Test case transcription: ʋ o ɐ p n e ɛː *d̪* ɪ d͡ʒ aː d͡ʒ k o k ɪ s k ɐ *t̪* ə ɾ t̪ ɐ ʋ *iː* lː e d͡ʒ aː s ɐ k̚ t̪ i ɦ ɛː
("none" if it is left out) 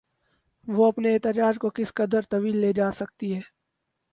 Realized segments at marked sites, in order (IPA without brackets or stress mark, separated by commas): t̪, d̪, iː